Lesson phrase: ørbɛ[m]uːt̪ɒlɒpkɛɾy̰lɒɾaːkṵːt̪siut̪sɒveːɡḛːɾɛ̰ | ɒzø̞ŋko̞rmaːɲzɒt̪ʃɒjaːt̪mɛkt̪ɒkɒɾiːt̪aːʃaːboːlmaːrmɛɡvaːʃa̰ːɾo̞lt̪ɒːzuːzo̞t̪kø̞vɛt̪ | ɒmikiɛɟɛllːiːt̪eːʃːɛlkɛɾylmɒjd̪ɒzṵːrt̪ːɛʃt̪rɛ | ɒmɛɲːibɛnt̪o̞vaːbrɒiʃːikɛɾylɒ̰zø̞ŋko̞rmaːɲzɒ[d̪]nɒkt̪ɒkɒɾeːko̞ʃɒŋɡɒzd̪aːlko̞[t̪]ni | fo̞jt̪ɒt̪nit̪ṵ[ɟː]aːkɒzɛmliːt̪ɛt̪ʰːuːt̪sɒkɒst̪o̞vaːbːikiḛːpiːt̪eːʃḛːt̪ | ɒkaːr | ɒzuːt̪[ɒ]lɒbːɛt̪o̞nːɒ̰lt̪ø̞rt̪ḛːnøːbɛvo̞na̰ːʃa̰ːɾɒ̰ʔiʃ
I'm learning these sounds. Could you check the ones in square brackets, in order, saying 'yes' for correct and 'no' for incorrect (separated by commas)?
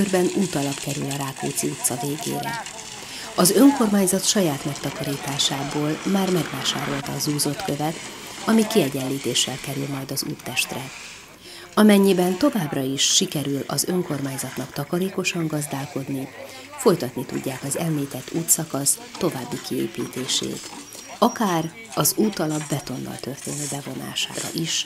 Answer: no, no, no, yes, yes